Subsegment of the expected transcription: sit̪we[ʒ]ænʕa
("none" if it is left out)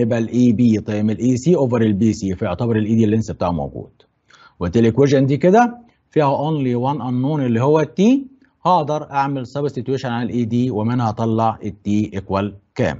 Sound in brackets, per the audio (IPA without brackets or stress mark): ʃ